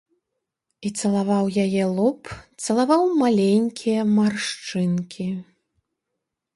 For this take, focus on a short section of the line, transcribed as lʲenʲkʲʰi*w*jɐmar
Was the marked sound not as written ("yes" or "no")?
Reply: yes